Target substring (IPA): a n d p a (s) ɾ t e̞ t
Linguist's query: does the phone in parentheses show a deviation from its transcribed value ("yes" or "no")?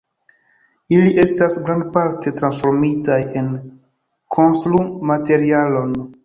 yes